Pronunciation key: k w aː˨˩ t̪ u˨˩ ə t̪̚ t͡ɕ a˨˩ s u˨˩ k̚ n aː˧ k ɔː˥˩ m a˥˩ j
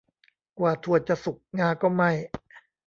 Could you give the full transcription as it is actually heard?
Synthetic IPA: k w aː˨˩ t̪ʰ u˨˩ ə t̪̚ t͡ɕ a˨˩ s u˨˩ k̚ ŋ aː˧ k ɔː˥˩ m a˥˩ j